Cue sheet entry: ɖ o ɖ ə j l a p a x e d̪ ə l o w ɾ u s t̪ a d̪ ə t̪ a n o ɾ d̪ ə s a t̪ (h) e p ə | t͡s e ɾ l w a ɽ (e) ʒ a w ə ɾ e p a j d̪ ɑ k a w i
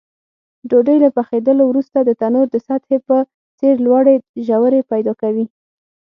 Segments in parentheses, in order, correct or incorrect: correct, correct

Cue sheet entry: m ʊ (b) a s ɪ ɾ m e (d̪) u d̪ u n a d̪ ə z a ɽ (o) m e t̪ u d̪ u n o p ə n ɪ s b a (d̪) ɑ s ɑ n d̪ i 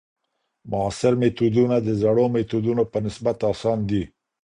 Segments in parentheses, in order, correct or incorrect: incorrect, incorrect, correct, incorrect

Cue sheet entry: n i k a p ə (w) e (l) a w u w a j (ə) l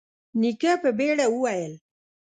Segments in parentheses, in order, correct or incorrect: incorrect, incorrect, correct

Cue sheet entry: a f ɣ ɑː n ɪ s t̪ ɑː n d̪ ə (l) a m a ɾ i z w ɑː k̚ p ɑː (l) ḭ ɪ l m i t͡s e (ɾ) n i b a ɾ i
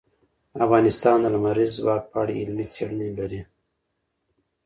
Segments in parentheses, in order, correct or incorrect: correct, incorrect, incorrect

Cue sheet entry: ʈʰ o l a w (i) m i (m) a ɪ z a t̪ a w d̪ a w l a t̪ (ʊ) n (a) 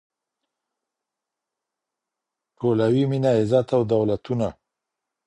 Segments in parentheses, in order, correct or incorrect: correct, incorrect, incorrect, correct

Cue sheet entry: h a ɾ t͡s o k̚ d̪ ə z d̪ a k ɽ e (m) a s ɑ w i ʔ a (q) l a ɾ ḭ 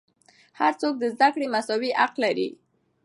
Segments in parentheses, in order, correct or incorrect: correct, correct

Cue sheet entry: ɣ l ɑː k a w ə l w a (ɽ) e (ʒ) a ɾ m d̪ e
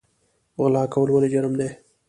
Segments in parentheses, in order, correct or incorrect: incorrect, incorrect

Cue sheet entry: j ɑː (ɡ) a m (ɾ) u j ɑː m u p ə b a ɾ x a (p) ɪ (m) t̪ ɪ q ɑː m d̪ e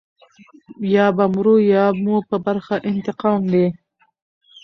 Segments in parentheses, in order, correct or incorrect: incorrect, correct, incorrect, incorrect

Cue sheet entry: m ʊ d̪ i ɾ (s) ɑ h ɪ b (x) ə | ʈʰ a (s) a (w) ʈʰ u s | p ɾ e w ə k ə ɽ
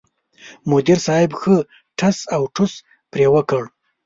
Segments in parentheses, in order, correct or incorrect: correct, correct, correct, correct

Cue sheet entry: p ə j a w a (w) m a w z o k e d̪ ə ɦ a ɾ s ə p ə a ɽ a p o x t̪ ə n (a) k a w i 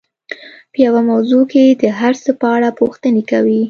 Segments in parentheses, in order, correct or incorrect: incorrect, incorrect

